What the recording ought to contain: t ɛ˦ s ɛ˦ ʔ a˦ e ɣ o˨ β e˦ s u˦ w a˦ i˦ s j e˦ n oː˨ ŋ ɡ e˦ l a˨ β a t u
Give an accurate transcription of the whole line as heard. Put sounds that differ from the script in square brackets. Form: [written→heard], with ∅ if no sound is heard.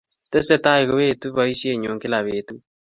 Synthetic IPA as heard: t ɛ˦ s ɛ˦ [ʔ→t] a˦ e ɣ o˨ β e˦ [s→t] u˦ [w→β] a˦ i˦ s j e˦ [n→ɲ] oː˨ ŋ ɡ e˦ l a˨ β [a→e] t u